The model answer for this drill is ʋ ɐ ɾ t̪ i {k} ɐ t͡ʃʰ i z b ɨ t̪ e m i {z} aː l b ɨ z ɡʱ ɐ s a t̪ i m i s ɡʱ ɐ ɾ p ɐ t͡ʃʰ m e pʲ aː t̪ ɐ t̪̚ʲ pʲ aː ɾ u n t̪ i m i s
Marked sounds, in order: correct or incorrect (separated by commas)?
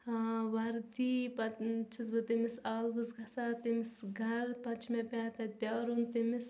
incorrect, incorrect